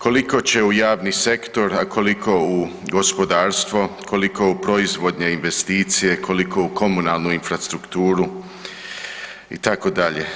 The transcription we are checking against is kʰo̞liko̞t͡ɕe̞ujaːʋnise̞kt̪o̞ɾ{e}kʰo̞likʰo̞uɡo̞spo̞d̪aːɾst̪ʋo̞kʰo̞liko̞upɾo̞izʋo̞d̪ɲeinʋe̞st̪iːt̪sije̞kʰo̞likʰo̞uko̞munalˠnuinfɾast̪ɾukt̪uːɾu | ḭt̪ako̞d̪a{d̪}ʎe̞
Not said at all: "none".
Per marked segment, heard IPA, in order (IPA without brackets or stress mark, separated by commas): a, none